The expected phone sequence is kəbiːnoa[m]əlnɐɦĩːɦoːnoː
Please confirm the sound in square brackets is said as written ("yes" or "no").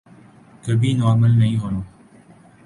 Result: yes